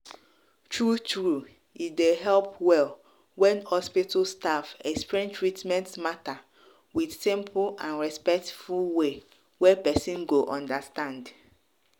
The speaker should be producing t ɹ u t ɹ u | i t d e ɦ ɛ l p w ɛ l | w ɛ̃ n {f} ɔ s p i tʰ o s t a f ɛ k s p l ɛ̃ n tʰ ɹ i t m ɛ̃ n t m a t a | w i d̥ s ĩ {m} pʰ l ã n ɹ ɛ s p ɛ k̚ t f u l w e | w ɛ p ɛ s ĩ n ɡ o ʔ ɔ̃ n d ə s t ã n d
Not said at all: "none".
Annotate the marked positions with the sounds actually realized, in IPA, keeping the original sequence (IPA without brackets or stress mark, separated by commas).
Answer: h, m